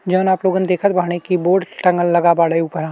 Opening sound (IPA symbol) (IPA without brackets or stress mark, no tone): d͡ʒ